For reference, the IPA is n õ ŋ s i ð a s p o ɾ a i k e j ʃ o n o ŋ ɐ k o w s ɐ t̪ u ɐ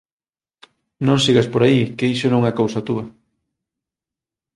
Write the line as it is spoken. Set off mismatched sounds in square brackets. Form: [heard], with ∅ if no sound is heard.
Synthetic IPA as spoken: n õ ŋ s i [ɣ] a s p o ɾ a i k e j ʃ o n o ŋ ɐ k o w s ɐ t̪ u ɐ